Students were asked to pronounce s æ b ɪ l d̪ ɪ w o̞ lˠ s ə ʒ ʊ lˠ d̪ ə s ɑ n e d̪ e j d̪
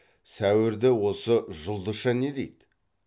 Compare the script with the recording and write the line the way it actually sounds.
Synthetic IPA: s æ w ɪ ɾ d̪ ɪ w o̞ s ə ʒ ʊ lˠ d̪ ə ʃ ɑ n e d̪ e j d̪